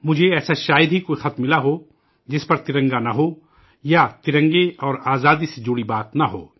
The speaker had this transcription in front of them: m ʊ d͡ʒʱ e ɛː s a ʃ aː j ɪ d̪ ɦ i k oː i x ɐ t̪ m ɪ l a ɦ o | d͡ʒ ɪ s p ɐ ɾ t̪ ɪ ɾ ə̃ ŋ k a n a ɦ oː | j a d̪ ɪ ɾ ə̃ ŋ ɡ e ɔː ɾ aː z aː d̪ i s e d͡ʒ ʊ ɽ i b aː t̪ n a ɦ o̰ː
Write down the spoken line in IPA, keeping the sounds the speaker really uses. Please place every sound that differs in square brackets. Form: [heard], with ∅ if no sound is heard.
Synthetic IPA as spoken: m ʊ d͡ʒʱ e ɛː s a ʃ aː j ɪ d̪ ɦ i k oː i x ɐ t̪ m ɪ l a ɦ o | d͡ʒ ɪ s p ɐ ɾ t̪ ɪ ɾ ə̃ ŋ [ɡ] a n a ɦ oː | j a [t̪] ɪ ɾ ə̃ ŋ ɡ e ɔː ɾ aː z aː d̪ i s e d͡ʒ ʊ ɽ i b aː t̪ n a ɦ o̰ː